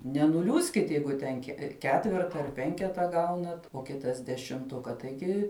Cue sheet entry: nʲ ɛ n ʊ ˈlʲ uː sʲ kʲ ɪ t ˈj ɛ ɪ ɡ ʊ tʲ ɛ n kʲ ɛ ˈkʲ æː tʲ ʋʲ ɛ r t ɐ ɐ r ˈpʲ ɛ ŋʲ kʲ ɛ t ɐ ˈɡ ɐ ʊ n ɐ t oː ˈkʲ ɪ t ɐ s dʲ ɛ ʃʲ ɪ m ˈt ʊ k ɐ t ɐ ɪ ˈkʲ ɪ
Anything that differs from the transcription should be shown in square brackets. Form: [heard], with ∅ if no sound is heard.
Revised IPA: nʲ ɛ n ʊ ˈlʲ uː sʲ kʲ ɪ t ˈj ɛ ɪ ɡ ʊ tʲ ɛ n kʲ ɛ ˈkʲ æː tʲ ʋʲ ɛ r t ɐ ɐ r ˈpʲ ɛ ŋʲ kʲ ɛ t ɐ ˈɡ ɐ ʊ n ɐ t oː ˈkʲ ɪ t ɐ s dʲ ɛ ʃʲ ɪ m ˈt ʊ k ɐ t ɐ ɪ [ˈɡʲ] ɪ

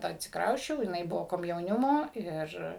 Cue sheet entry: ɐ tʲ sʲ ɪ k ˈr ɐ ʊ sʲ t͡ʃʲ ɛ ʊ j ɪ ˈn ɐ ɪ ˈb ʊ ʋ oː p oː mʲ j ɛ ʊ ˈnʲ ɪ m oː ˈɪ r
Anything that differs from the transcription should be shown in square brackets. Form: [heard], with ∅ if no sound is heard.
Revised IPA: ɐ tʲ sʲ ɪ k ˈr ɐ ʊ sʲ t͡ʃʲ ɛ ʊ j ɪ ˈn ɐ ɪ ˈb ʊ ʋ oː [k] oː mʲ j ɛ ʊ ˈnʲ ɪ m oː ˈɪ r

